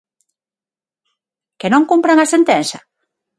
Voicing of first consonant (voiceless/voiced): voiceless